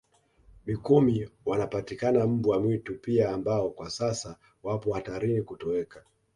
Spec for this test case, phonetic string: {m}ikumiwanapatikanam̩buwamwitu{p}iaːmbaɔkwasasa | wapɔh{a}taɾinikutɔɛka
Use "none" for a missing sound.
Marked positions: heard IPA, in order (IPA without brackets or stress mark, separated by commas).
m, p, a